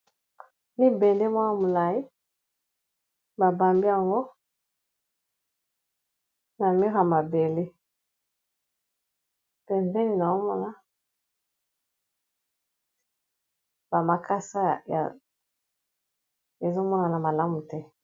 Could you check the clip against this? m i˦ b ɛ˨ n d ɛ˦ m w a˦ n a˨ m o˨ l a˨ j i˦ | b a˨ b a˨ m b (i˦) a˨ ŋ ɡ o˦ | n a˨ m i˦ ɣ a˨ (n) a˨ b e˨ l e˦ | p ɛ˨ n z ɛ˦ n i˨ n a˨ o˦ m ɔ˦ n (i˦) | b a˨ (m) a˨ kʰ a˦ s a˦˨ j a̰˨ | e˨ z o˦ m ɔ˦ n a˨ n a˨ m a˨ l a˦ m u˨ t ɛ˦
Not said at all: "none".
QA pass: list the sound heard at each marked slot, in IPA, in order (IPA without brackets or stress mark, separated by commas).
i˦, m, a˦, m